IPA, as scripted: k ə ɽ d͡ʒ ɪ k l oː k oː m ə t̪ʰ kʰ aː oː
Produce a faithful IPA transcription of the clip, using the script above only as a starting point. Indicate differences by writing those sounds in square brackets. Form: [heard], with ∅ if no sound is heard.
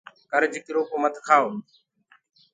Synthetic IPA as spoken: k ə [ɾ] d͡ʒ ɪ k [ɾ] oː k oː m ə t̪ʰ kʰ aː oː